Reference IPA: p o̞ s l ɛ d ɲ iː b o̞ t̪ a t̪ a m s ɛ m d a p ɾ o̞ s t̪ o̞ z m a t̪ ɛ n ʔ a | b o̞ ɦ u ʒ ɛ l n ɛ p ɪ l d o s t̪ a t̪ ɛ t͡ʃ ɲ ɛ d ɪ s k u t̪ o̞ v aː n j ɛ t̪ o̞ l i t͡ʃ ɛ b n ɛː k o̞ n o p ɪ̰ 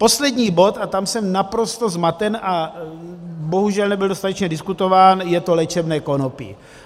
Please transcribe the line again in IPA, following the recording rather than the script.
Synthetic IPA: p o̞ s l ɛ d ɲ iː b o̞ t̪ a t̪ a m s ɛ m n a p ɾ o̞ s t̪ o̞ z m a t̪ ɛ n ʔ a | b o̞ ɦ u ʒ ɛ l n ɛ b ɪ l d o s t̪ a t̪ ɛ t͡ʃ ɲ ɛ d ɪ s k u t̪ o̞ v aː n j ɛ t̪ o̞ l ɛ t͡ʃ ɛ b n ɛː k o̞ n o p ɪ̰